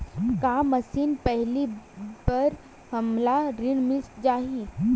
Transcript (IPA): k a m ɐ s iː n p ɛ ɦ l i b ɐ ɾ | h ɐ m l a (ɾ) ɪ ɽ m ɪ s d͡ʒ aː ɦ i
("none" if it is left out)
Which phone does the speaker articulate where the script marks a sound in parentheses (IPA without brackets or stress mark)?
ɾ